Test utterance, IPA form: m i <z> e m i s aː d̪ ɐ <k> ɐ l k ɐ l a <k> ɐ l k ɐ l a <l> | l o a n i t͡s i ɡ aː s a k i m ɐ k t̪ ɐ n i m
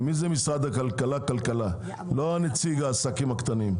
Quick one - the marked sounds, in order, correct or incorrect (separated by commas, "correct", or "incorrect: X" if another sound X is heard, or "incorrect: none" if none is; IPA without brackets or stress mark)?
correct, correct, correct, incorrect: none